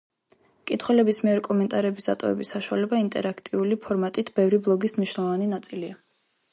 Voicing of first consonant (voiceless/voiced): voiceless